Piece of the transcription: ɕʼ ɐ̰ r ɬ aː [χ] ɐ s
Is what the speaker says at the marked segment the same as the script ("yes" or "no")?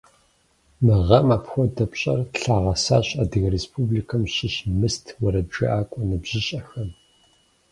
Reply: no